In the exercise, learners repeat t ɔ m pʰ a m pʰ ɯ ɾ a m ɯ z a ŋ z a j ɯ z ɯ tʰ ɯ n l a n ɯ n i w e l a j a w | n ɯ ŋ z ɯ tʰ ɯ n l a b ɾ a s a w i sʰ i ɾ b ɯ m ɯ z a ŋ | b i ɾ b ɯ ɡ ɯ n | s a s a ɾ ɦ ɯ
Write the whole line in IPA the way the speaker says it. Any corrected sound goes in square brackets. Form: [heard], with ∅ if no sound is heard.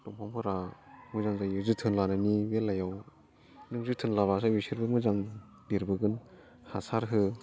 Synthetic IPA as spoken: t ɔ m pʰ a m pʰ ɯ ɾ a m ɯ z a ŋ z a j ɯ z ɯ tʰ ɯ n l a n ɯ n i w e l a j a w | n ɯ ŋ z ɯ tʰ ɯ n l a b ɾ a s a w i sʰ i ɾ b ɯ m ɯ z a ŋ | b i ɾ b ɯ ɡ ɯ n | [h] a s a ɾ ɦ ɯ